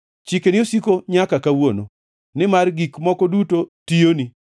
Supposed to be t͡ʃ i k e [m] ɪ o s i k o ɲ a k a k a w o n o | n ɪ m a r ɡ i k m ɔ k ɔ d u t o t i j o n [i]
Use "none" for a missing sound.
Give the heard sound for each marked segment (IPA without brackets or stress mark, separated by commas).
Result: n, i